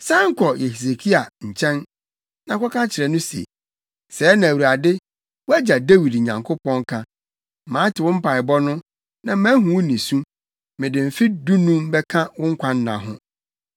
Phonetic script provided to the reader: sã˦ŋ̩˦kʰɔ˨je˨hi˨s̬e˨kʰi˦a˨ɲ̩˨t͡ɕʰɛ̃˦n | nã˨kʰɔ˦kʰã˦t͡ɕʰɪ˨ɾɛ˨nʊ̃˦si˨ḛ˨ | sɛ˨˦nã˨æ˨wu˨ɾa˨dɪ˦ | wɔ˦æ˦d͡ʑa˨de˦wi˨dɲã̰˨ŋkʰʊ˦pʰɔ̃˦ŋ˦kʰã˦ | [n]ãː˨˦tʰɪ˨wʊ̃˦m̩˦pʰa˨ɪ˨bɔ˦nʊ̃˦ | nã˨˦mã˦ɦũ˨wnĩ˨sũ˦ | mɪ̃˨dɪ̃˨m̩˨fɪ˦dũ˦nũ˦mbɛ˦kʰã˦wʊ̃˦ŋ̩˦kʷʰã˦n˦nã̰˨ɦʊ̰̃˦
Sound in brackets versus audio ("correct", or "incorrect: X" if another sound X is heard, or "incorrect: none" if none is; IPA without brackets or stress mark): incorrect: m